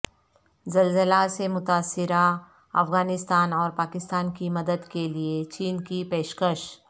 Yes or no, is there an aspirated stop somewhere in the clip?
no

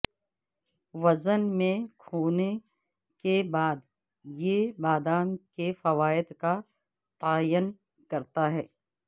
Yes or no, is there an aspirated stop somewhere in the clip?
yes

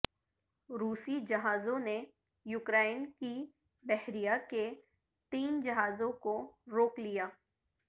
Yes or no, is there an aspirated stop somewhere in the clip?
no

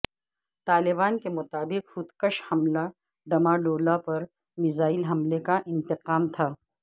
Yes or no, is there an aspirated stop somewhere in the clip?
yes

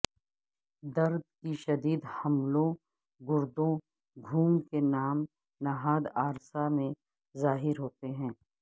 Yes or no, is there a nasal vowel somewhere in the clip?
yes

